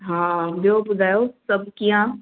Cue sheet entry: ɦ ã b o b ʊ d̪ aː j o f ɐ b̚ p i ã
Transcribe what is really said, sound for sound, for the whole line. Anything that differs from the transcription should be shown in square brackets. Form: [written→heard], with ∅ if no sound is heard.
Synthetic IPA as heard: ɦ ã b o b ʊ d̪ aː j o [f→s] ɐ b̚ [p→k] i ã